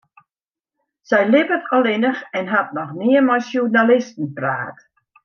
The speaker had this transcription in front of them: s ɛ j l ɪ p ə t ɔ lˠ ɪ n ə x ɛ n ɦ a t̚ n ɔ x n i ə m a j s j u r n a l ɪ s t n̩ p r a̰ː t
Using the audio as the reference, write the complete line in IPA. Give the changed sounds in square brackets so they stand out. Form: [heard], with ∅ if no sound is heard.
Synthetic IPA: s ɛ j l ɪ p ə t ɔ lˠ ɪ n ə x ɛ n ɦ a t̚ n ɔ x n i ə m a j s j u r n a l ɪ s t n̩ p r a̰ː t